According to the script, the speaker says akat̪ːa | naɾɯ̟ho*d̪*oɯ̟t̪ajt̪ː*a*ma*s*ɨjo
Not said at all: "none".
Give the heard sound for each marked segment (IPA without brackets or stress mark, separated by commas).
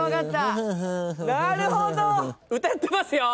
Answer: d̪, e, s